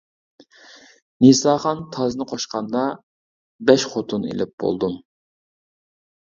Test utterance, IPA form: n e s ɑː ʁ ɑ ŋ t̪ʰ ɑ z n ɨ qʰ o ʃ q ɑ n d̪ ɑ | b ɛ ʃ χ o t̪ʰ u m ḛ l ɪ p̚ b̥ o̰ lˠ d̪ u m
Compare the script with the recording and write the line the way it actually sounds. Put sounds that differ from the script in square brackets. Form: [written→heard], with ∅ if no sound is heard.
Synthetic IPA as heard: n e s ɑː [ʁ→χ] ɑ [ŋ→n] t̪ʰ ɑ z n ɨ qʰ o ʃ q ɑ n d̪ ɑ | b ɛ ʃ χ o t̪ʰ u [m→n] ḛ l ɪ p̚ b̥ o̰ lˠ d̪ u m

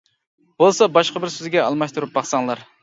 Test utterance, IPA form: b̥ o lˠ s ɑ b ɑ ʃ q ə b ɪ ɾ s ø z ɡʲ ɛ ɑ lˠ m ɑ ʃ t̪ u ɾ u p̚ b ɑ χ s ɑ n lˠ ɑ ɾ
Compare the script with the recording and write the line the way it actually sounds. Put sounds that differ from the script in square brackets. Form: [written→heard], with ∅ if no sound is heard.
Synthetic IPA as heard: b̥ o lˠ s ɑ b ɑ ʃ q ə b ɪ ɾ s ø z ɡʲ ɛ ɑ lˠ m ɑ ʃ t̪ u ɾ u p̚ b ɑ χ s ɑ [n→ŋ] lˠ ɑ ɾ

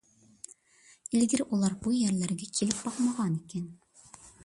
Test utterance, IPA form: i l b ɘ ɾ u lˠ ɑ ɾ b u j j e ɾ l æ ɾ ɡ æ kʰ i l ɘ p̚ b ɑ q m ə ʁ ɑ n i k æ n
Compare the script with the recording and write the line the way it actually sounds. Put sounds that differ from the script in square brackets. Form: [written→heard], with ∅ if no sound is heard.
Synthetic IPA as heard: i l [b→ɡ] ɘ ɾ u lˠ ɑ ɾ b u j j [e→æ] ɾ l æ ɾ ɡ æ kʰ i l ɘ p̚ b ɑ q m [ə→ɑ] ʁ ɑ n i k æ n

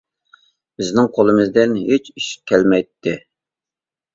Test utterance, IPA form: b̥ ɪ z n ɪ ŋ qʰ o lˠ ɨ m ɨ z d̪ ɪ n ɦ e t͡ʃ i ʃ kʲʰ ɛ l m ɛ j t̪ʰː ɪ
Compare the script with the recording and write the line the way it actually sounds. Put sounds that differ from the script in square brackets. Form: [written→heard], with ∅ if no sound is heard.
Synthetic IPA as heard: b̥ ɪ z n ɪ ŋ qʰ o lˠ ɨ m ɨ z d̪ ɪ n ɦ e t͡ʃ i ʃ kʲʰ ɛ l m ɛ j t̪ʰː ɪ

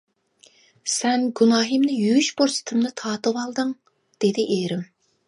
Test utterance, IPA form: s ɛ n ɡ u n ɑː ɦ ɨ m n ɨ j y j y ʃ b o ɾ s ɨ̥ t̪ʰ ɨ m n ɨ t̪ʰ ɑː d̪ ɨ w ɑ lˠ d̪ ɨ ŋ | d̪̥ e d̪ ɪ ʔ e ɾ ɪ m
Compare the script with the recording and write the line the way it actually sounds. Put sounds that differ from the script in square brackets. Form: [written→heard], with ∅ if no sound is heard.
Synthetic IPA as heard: s ɛ n ɡ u n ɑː ɦ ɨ m n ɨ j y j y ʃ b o ɾ s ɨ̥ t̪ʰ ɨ m n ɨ t̪ʰ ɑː [d̪→t̪] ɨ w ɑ lˠ d̪ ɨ ŋ | d̪̥ e d̪ ɪ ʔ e ɾ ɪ m

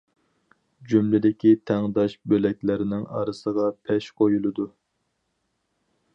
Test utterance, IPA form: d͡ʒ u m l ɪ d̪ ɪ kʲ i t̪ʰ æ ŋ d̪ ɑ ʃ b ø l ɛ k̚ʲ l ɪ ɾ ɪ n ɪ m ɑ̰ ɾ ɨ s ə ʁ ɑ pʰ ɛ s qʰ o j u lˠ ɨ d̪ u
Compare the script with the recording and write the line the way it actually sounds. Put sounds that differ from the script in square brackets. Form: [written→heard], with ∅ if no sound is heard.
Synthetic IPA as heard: d͡ʒ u m l ɪ d̪ ɪ kʲ i t̪ʰ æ ŋ d̪ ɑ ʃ b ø l ɛ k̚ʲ l ɪ ɾ ɪ n ɪ [m→ŋ] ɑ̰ ɾ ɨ s ə ʁ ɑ pʰ ɛ [s→ʃ] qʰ o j u lˠ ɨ d̪ u

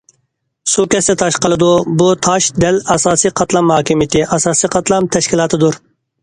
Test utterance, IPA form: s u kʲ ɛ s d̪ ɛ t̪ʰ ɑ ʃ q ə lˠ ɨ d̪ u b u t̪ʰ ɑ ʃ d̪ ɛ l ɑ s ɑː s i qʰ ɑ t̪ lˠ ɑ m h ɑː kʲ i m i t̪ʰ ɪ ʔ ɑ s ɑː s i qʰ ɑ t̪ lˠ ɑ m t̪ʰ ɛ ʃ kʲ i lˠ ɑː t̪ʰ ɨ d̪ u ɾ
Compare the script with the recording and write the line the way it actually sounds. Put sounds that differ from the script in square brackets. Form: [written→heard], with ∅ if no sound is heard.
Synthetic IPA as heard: s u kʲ ɛ s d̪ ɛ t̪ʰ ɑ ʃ q ə lˠ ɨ d̪ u b u t̪ʰ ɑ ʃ d̪ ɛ l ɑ s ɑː s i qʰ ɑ t̪ lˠ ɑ m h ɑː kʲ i m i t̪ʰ ɪ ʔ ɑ s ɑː s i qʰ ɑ t̪ lˠ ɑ m t̪ʰ ɛ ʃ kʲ i lˠ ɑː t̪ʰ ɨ d̪ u ɾ

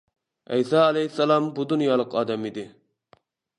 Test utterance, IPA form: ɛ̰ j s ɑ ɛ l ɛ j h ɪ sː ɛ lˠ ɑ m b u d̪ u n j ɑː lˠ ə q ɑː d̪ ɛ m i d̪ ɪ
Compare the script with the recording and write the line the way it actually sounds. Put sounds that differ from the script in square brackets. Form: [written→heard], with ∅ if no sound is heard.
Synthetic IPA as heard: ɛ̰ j s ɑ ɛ l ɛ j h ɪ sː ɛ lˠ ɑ m b u d̪ u n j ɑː lˠ ə q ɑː d̪ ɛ m i d̪ ɪ

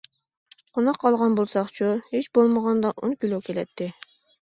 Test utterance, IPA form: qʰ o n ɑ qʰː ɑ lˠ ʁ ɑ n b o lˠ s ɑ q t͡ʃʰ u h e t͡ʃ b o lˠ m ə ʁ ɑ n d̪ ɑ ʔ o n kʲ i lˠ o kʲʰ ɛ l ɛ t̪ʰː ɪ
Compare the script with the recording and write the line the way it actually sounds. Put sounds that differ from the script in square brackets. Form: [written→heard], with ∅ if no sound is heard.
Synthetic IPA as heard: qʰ o n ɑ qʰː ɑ lˠ ʁ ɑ n b o lˠ s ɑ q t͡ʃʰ u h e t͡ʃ b o lˠ m ə ʁ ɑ n d̪ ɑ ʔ o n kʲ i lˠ o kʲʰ [ɛ→e] l ɛ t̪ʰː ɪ

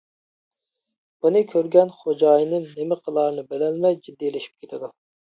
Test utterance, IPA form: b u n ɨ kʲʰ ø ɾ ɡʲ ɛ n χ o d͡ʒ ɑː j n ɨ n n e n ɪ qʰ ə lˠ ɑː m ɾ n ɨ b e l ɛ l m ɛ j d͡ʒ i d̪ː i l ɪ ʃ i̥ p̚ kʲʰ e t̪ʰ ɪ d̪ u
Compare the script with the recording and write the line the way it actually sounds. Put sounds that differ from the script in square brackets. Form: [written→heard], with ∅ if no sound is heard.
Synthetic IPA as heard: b u n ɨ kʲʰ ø ɾ ɡʲ ɛ n χ o d͡ʒ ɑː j n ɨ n n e [n→m] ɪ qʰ ə lˠ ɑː [m→∅] ɾ n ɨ b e l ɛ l m ɛ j d͡ʒ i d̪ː i l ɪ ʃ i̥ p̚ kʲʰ e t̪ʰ ɪ d̪ u

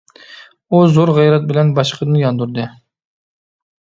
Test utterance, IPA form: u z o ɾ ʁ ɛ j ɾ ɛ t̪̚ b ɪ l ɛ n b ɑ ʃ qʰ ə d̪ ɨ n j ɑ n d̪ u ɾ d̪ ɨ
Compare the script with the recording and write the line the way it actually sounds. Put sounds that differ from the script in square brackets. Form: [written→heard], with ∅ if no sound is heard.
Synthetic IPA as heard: u z o ɾ ʁ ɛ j ɾ ɛ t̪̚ b ɪ l ɛ n b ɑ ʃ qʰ ə d̪ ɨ n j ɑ n d̪ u ɾ d̪ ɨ

